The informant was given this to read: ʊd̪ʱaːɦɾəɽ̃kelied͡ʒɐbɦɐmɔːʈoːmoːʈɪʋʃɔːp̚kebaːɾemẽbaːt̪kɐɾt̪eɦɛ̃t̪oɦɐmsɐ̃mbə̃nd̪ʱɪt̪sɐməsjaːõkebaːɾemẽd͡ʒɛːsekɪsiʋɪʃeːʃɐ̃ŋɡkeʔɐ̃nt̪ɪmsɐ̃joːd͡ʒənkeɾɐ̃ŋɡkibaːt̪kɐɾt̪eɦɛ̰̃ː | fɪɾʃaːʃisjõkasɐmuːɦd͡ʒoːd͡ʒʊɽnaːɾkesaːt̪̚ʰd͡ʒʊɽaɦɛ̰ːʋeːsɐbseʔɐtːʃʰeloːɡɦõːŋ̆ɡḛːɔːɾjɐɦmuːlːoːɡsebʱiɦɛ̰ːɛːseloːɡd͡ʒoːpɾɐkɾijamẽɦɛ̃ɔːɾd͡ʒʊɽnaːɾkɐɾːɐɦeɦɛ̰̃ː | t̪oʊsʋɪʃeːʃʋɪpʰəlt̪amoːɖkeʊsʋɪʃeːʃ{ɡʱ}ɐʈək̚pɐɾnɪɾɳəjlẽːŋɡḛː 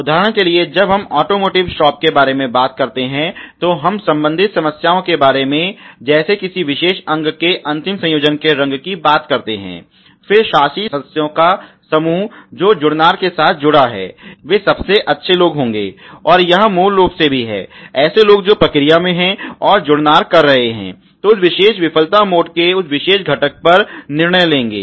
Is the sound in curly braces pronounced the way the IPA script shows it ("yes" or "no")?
yes